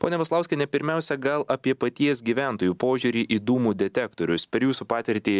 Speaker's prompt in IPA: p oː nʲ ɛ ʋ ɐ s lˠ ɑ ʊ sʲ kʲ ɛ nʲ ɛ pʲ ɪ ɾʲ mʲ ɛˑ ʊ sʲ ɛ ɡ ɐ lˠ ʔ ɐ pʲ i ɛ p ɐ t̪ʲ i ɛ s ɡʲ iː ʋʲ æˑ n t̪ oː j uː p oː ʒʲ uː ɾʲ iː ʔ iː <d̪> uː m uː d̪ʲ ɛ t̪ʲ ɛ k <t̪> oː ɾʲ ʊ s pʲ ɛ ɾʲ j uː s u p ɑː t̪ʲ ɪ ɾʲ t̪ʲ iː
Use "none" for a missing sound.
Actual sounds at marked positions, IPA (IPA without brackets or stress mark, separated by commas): d̪, t̪